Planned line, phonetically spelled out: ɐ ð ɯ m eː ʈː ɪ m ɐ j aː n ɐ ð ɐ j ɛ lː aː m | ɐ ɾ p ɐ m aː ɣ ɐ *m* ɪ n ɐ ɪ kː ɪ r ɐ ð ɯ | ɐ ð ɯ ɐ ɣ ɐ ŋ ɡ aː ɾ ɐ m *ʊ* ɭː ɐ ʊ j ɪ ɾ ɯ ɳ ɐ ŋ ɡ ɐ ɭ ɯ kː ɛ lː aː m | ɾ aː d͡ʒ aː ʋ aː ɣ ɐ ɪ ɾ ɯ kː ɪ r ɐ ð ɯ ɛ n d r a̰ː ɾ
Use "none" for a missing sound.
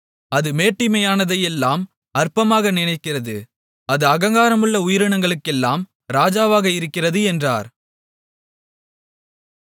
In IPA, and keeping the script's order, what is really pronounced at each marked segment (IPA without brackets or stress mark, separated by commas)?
n, ɯ